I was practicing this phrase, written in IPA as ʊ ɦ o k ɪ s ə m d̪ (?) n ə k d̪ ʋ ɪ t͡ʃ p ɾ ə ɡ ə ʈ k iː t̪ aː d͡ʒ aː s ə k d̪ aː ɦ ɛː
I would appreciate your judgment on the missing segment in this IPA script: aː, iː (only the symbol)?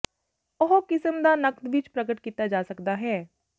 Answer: aː